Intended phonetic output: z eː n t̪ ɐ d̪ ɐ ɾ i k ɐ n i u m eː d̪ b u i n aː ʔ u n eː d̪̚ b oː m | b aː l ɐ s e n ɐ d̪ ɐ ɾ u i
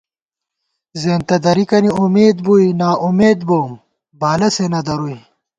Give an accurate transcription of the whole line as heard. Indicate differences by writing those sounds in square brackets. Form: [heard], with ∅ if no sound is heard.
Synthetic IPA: z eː n t̪ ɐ d̪ ɐ ɾ i k ɐ n i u m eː d̪ b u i n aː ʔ u [m] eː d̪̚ b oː m | b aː l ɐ s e n ɐ d̪ ɐ ɾ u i